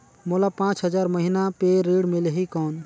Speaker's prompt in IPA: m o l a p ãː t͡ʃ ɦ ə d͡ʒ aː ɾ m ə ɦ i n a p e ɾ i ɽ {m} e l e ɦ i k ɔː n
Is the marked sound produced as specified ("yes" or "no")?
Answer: yes